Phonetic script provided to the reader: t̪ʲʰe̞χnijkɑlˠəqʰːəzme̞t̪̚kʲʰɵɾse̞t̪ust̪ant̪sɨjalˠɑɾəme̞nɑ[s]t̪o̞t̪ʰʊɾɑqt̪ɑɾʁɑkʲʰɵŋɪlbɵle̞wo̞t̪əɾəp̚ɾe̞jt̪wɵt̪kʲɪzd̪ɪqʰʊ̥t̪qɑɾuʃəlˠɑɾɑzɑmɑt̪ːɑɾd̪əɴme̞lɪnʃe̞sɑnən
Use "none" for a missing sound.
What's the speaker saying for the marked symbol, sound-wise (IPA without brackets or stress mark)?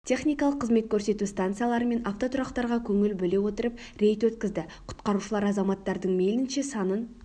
f